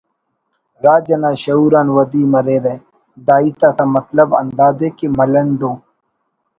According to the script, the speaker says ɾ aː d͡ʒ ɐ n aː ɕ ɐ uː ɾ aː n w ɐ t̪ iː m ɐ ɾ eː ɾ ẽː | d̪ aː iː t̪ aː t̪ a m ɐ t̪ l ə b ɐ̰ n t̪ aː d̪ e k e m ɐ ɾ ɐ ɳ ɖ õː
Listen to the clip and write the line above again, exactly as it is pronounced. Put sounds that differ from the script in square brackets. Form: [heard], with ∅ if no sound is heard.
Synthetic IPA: ɾ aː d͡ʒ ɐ n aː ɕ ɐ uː ɾ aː n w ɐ [d̪] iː m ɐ ɾ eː ɾ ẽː | d̪ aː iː t̪ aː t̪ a m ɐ t̪ l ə b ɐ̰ n [d̪] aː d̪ e k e m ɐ [l] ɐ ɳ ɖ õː